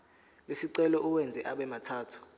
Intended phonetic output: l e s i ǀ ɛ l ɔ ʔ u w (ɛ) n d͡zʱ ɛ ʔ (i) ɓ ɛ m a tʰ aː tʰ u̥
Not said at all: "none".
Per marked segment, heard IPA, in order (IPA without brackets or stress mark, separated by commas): ɛ, a